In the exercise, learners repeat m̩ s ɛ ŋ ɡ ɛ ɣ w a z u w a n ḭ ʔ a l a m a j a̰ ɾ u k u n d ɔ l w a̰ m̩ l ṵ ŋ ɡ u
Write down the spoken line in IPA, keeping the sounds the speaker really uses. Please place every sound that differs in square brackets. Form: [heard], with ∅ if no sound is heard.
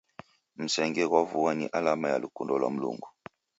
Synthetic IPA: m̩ s ɛ ŋ ɡ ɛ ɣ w a [v] u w a n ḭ ʔ a l a m a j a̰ [l] u k u n d ɔ l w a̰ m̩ l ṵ ŋ ɡ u

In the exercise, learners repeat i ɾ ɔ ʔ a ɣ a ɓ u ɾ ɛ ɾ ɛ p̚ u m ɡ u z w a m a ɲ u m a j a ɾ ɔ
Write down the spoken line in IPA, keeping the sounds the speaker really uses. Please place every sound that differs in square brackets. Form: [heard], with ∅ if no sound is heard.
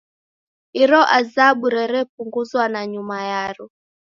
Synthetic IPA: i ɾ ɔ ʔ a [z] a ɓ u ɾ ɛ ɾ ɛ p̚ u [ŋ] ɡ u z w a [n] a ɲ u m a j a ɾ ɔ

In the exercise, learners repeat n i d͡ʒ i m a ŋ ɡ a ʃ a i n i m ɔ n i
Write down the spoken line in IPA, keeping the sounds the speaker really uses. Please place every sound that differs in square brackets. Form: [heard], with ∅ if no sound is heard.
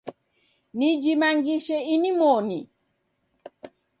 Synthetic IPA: n i d͡ʒ i m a ŋ ɡ [i] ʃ [ɛ] i n i m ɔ n i

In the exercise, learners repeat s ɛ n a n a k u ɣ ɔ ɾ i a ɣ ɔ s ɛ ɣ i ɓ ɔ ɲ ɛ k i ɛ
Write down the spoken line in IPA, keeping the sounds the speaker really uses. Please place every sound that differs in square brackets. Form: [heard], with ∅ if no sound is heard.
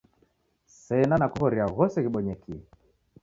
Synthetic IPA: s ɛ n a n a k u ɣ ɔ ɾ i a ɣ ɔ s ɛ ɣ i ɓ ɔ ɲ ɛ k i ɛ

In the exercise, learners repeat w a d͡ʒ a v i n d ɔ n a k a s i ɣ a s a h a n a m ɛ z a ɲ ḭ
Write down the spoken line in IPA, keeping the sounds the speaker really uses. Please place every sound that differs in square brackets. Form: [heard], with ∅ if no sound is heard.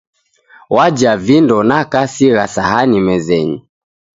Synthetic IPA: w a d͡ʒ a v i n d ɔ n a k a s i ɣ a s a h a n [i] m ɛ z [ɛ] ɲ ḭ

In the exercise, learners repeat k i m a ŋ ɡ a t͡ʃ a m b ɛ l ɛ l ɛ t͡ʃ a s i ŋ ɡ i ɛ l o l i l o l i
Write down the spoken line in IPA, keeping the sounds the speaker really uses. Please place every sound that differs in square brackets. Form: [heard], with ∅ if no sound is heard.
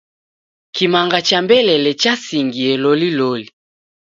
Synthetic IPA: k i m a ŋ ɡ a t͡ʃ a m b ɛ l ɛ l ɛ t͡ʃ a s i ŋ ɡ i ɛ l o l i l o l i

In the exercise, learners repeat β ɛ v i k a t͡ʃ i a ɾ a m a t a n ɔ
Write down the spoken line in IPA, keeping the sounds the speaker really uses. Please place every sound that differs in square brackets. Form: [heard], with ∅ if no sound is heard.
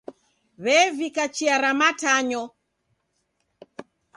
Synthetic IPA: β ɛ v i k a t͡ʃ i a ɾ a m a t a [ɲ] ɔ

